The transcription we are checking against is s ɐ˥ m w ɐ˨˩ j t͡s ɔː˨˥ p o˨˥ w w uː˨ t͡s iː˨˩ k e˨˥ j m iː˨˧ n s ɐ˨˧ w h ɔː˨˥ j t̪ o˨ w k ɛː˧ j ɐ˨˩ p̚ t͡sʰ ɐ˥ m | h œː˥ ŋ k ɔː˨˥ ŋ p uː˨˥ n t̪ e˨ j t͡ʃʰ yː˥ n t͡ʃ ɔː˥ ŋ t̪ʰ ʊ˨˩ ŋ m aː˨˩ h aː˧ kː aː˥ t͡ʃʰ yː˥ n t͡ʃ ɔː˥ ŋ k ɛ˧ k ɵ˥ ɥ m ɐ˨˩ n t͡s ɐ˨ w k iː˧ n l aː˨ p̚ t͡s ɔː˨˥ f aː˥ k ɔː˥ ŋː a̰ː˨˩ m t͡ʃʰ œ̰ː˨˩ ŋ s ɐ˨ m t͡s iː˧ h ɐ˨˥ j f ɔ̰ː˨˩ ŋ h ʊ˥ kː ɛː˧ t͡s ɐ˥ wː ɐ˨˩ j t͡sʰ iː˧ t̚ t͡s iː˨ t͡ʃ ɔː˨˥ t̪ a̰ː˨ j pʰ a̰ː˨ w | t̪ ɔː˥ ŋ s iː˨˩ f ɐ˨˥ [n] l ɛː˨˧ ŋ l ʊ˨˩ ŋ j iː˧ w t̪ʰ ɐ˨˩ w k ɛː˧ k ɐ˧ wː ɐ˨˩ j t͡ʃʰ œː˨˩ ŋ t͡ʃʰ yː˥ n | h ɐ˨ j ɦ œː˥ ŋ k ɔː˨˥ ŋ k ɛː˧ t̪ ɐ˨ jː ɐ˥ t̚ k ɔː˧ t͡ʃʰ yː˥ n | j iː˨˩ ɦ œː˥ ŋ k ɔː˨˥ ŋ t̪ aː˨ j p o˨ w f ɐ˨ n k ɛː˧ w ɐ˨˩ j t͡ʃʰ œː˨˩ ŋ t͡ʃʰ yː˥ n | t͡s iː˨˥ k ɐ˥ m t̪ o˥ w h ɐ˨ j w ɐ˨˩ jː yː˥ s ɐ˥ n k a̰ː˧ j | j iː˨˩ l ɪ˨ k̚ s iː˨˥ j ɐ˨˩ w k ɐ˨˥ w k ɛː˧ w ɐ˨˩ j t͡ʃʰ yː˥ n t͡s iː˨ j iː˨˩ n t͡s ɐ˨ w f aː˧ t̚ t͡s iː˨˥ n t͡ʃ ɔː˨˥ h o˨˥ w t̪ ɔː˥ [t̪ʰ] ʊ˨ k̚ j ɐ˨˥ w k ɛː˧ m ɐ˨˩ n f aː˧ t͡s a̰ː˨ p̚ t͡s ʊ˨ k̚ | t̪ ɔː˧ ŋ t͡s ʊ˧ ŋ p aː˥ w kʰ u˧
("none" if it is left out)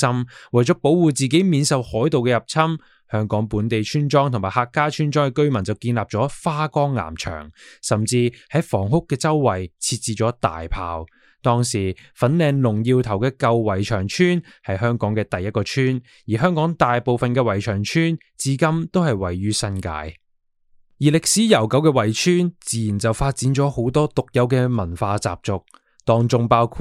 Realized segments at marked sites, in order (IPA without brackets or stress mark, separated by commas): n, t̪